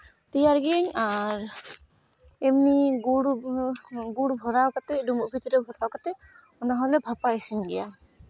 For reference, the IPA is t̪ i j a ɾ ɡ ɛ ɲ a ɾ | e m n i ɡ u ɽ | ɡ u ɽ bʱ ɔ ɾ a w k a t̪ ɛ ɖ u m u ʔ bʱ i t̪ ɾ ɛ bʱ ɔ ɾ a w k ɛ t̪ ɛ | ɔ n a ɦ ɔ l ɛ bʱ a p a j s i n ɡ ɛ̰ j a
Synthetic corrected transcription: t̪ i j a ɾ ɡ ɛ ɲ a ɾ | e m n i ɡ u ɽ | ɡ u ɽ bʱ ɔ ɾ a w k a t̪ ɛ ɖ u m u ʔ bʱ i t̪ ɾ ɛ bʱ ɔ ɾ a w k a t̪ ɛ | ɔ n a ɦ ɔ l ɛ bʱ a p a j s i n ɡ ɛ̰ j a